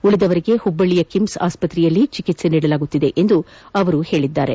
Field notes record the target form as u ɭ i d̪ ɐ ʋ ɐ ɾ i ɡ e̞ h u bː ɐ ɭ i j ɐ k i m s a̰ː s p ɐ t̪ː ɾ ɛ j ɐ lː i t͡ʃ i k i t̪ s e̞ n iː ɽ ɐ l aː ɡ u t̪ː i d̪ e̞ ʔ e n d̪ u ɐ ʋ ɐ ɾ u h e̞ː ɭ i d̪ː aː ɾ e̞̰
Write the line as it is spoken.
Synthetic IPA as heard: u ɭ i d̪ ɐ ʋ ɐ ɾ i ɡ e̞ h u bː ɐ ɭ i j ɐ k i m s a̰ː s p ɐ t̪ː ɾ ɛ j ɐ lː i t͡ʃ i k i t̪ s e̞ n iː ɽ ɐ l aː ɡ u t̪ː i d̪ e̞ ʔ e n d̪ u ɐ ʋ ɐ ɾ u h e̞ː ɭ i d̪ː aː ɾ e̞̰